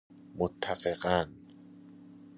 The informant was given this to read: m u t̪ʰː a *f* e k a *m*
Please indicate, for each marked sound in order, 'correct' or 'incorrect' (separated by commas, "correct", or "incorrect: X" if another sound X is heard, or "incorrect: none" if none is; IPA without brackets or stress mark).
correct, incorrect: n